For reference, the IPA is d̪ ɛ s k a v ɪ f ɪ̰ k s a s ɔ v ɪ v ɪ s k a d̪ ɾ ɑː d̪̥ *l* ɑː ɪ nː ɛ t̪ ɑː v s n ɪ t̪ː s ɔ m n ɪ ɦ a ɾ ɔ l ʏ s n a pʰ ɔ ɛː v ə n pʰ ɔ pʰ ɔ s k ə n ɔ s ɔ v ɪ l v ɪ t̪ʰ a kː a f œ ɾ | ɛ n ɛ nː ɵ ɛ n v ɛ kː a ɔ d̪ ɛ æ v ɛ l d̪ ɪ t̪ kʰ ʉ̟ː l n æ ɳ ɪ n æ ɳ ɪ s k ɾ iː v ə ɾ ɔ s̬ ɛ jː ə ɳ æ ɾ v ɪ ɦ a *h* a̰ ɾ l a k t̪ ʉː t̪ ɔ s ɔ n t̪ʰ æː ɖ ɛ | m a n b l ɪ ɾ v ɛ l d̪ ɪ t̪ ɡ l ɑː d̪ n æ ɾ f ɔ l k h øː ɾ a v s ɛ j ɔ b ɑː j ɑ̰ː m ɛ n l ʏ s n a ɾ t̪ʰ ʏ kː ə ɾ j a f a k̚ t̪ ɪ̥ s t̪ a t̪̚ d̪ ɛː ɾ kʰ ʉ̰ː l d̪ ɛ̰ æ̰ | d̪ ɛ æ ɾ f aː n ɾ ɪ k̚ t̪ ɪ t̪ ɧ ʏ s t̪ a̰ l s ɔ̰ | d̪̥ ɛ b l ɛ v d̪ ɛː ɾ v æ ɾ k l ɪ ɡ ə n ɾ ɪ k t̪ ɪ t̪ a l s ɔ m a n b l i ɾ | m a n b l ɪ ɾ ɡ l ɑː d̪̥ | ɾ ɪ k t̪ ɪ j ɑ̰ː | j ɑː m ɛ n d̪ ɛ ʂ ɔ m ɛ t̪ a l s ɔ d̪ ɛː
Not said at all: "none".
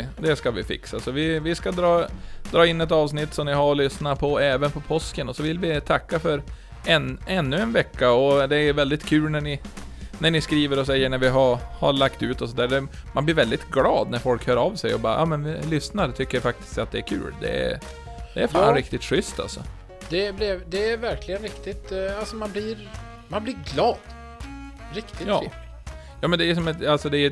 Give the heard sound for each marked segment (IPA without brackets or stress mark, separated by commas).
ɾ, h